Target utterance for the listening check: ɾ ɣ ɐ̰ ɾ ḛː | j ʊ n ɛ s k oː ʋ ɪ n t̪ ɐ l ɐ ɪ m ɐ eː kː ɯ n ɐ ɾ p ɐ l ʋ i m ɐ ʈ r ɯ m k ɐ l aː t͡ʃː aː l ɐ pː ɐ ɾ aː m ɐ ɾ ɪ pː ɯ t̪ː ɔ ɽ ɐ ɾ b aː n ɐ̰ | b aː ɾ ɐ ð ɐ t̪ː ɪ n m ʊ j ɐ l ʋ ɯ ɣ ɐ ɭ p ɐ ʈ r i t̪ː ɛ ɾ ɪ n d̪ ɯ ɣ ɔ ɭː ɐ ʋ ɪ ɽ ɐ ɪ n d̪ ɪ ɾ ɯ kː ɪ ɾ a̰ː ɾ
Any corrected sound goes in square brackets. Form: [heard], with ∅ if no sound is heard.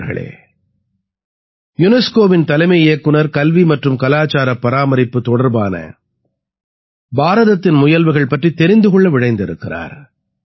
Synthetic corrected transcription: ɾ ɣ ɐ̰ [ɭ] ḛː | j ʊ n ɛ s k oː ʋ ɪ n t̪ ɐ l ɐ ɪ m ɐ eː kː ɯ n ɐ ɾ [k] ɐ l ʋ i m ɐ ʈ r ɯ m k ɐ l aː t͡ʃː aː [ɾ] ɐ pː ɐ ɾ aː m ɐ ɾ ɪ pː ɯ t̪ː ɔ ɽ ɐ ɾ b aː n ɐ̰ | b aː ɾ ɐ ð ɐ t̪ː ɪ n m ʊ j ɐ l ʋ ɯ ɣ ɐ ɭ p ɐ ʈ r i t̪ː ɛ ɾ ɪ n d̪ ɯ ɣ ɔ ɭː ɐ ʋ ɪ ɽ ɐ ɪ n d̪ ɪ ɾ ɯ kː ɪ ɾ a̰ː ɾ